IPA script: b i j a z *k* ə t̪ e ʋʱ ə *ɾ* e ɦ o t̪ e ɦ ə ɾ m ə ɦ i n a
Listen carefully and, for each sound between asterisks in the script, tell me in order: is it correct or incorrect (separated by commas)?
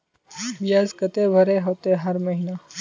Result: correct, correct